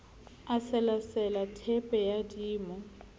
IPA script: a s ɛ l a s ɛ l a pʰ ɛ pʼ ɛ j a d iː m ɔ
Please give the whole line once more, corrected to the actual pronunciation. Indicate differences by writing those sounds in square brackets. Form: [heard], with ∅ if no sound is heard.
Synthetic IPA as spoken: a s ɛ l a s ɛ l a [tʰ] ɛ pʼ ɛ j a d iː m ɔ